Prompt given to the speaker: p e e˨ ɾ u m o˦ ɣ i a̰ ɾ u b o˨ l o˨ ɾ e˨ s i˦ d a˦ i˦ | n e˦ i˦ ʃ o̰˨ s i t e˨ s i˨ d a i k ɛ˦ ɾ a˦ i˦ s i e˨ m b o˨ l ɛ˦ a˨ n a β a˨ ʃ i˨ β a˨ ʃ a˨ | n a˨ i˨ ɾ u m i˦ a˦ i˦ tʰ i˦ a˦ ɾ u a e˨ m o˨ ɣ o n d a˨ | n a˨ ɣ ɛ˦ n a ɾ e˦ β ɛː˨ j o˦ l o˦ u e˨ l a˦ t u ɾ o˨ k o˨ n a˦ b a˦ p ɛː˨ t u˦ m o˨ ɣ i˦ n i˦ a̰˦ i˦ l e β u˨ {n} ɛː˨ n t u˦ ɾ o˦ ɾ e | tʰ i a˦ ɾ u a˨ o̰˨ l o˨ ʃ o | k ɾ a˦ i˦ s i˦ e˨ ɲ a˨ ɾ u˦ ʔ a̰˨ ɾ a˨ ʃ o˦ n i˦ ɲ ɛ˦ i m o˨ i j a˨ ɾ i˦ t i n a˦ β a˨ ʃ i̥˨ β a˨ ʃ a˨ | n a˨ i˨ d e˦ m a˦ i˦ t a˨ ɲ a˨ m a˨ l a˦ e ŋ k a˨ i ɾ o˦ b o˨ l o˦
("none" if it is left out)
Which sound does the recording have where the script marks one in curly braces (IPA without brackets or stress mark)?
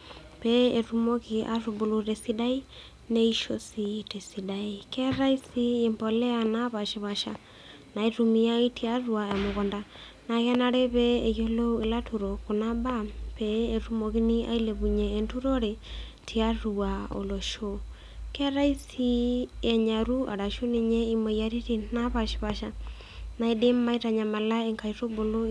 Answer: ɲ